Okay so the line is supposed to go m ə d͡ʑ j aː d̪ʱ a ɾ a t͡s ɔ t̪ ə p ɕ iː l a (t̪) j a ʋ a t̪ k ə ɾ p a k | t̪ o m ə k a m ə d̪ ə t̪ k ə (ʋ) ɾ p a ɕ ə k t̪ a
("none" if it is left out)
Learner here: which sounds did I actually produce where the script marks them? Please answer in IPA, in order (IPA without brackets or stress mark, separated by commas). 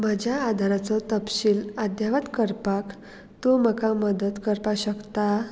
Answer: d̪, none